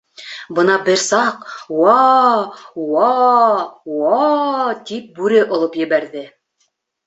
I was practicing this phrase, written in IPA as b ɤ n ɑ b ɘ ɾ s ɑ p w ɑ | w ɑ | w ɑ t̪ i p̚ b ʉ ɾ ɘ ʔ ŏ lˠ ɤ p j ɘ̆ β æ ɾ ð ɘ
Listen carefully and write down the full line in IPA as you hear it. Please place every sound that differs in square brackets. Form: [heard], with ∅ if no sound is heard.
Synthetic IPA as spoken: b ɤ n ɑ b ɘ ɾ s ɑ [q] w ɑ | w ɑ | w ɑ t̪ i p̚ b ʉ ɾ ɘ ʔ ŏ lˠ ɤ p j ɘ̆ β æ ɾ ð ɘ